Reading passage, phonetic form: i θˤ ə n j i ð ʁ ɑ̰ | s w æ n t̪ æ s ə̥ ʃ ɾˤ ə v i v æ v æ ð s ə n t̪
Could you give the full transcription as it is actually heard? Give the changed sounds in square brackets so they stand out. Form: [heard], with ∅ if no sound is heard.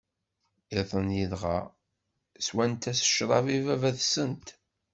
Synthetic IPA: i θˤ ə n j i ð ʁ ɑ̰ | s w æ n t̪ æ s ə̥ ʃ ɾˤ [ɑ] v i v æ v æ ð s ə n t̪